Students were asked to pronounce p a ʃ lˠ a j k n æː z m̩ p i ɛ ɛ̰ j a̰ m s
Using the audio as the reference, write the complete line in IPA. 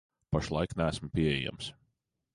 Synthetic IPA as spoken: p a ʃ lˠ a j k n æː s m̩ p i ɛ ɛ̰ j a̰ m s